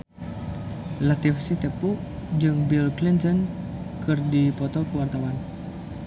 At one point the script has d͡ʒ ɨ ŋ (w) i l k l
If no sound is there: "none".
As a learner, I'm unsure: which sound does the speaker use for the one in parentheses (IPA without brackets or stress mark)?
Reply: b